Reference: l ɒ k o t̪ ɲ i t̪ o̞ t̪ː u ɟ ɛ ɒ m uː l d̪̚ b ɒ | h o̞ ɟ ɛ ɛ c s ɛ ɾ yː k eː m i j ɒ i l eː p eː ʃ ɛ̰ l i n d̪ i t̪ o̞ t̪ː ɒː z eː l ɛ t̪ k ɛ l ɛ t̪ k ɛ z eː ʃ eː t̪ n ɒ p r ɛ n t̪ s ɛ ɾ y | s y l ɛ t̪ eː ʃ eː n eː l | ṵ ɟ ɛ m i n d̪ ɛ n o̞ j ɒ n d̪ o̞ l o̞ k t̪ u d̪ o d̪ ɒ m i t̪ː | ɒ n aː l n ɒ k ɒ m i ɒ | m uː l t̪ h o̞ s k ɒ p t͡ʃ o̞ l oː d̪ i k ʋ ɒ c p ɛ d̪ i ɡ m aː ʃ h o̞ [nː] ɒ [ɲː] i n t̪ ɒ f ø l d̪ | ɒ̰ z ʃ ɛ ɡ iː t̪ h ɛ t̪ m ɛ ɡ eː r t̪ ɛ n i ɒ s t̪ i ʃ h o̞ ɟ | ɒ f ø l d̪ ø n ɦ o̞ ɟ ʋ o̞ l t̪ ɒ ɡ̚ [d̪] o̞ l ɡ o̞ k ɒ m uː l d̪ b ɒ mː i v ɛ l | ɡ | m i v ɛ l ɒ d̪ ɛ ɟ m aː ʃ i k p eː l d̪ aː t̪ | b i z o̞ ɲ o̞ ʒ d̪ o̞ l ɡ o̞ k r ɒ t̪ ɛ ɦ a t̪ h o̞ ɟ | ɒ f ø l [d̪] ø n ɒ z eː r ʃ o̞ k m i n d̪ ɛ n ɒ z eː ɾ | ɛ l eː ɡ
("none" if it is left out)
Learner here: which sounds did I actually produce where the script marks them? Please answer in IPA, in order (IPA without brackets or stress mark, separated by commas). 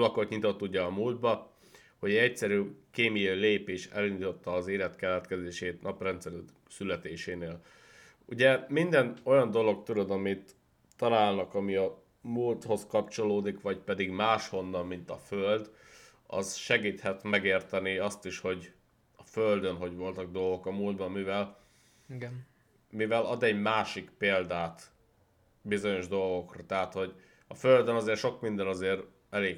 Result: nː, mː, d̪, d̪